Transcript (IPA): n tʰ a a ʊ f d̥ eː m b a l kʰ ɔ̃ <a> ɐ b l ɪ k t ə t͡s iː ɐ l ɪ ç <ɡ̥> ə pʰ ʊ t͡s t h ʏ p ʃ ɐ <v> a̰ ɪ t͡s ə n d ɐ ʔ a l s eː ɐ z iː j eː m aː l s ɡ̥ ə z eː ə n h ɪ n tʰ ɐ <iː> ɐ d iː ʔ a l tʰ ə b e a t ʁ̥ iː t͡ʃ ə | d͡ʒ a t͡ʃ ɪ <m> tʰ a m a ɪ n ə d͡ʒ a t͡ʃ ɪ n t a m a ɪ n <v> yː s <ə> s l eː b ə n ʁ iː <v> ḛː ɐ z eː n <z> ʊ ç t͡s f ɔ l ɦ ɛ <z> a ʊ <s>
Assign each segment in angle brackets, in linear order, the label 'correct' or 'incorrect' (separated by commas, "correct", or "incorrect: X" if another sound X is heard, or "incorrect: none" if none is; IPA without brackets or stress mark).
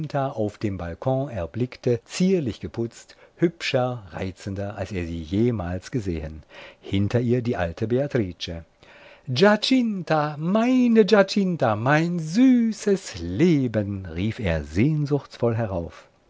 incorrect: ɛ, correct, incorrect: ʁ, correct, incorrect: n, incorrect: z, correct, incorrect: f, correct, incorrect: ʁ, incorrect: f